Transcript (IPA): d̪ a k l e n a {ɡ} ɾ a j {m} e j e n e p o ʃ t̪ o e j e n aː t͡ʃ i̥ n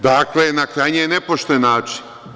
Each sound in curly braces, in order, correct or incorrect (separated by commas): incorrect, incorrect